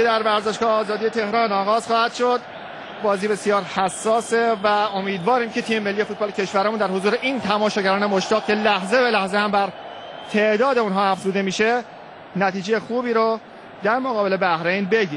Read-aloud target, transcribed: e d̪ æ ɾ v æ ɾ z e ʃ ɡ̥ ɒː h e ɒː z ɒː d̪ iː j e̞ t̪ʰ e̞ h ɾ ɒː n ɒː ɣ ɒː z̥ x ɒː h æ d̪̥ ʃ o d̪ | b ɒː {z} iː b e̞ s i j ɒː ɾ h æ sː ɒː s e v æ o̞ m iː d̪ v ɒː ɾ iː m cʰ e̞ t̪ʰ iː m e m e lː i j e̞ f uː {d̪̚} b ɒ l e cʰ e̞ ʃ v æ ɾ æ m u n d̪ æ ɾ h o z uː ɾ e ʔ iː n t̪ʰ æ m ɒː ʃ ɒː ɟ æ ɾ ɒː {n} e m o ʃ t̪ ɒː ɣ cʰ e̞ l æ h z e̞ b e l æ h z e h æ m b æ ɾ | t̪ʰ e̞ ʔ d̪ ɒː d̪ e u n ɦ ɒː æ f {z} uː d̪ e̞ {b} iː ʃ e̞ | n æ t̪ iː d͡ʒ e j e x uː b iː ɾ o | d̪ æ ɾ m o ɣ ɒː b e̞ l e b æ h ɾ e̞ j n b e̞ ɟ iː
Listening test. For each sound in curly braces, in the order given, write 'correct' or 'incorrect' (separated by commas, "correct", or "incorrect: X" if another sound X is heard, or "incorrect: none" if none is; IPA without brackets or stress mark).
correct, incorrect: t̪̚, correct, correct, incorrect: m